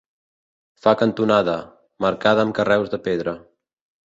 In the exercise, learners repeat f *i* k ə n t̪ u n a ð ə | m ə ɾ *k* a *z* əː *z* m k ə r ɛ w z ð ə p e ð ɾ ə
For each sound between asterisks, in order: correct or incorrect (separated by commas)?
incorrect, correct, incorrect, incorrect